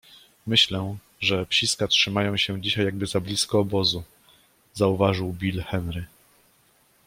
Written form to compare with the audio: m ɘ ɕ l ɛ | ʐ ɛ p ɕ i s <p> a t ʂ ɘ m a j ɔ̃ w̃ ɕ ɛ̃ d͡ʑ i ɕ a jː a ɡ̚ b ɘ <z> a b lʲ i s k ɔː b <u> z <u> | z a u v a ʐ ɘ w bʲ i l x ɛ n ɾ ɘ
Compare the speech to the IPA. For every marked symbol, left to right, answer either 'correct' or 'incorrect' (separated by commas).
incorrect, correct, incorrect, correct